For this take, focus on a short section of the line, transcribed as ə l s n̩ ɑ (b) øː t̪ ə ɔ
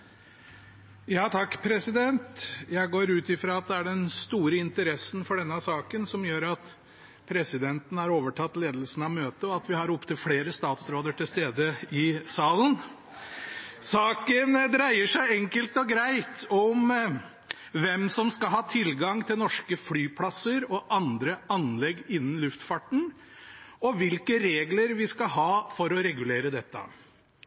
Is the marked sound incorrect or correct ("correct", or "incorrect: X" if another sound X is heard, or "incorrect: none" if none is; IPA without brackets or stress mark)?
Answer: incorrect: m